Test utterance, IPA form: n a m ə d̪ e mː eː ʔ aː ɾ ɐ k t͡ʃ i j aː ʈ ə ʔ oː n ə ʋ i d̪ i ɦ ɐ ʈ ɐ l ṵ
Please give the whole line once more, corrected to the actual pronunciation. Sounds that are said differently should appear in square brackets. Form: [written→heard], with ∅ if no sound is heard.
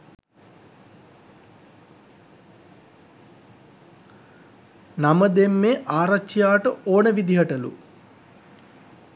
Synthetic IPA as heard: n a m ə d̪ e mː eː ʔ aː ɾ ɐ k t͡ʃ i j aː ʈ ə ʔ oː n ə ʋ i d̪ i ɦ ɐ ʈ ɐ l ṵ